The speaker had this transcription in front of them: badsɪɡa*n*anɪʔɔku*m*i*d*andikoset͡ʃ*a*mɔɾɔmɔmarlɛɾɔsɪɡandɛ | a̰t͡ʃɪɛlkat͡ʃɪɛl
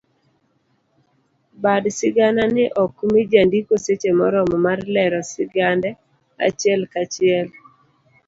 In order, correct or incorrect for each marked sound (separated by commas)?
correct, correct, incorrect, incorrect